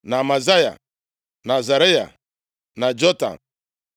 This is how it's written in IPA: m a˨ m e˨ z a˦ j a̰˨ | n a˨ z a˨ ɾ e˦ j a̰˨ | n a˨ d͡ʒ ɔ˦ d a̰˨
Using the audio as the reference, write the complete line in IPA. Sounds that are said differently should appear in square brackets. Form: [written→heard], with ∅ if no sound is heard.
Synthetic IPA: [m→n] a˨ m [e˨→a˨] z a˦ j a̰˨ | n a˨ z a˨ ɾ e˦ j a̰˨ | n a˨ d͡ʒ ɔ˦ [d→t] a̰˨